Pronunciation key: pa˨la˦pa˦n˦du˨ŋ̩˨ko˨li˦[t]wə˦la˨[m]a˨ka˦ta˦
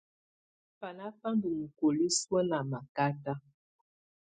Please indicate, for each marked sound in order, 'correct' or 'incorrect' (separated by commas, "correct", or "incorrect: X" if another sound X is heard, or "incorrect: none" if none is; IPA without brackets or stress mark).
incorrect: s, correct